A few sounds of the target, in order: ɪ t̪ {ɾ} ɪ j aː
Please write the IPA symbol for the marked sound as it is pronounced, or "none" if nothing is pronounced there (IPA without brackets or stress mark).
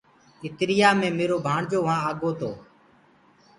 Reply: ɾ